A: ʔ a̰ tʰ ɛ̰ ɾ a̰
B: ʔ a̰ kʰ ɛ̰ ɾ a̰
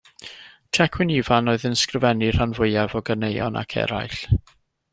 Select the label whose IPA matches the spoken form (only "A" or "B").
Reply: B